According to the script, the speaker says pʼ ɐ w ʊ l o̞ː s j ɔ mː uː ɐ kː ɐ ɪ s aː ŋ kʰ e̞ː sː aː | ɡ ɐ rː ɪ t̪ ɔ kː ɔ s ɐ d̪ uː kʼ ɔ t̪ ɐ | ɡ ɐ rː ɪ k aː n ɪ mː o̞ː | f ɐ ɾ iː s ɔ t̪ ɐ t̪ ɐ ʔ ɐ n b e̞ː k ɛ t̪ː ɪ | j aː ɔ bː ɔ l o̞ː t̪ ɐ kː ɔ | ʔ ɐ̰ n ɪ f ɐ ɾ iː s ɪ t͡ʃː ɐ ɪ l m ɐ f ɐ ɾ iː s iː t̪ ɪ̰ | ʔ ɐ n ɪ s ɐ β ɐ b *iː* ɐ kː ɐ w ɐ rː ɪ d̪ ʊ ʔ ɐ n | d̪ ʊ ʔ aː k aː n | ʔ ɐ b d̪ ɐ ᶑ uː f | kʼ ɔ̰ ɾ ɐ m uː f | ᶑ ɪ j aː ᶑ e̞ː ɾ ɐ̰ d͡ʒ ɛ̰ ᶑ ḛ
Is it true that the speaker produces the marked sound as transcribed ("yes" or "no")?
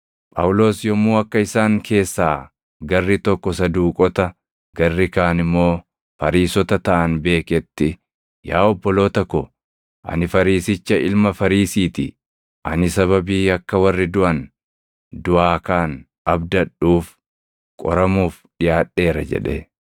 yes